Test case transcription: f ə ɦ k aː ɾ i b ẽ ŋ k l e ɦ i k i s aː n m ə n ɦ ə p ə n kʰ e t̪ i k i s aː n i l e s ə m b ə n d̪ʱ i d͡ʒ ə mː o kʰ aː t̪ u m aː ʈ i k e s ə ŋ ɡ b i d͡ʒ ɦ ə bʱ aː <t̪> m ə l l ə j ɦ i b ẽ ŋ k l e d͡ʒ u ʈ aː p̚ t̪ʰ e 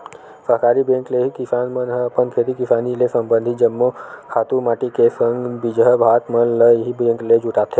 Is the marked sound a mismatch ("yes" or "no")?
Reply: no